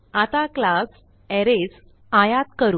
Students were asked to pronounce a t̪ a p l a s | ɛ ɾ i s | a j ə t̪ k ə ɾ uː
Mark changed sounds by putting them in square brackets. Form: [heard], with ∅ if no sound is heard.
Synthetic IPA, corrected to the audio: a t̪ a [k] l a s | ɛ ɾ [e] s | a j [a] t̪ k ə ɾ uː